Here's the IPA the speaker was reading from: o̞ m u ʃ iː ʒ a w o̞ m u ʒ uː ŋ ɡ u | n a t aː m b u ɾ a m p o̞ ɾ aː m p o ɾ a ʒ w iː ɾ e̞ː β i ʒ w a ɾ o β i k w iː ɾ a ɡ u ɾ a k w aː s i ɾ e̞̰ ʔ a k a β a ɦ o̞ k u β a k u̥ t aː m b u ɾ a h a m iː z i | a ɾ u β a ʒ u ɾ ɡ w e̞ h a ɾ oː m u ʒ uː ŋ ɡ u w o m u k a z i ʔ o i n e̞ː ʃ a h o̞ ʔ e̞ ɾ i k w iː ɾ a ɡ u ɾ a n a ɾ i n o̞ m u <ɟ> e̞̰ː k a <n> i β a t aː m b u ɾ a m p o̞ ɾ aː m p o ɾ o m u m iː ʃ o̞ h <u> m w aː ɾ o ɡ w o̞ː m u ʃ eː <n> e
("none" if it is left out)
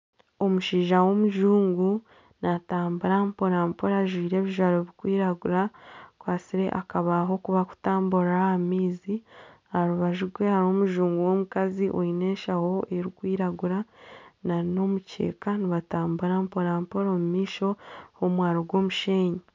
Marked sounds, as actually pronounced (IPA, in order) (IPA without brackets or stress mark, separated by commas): c, n, o, ɲ